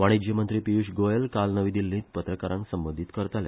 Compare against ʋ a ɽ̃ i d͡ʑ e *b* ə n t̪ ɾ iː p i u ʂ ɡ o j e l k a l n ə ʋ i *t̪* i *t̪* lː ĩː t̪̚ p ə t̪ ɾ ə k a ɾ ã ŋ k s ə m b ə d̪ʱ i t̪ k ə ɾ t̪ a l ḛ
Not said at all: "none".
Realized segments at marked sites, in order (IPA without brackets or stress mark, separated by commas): m, d̪, none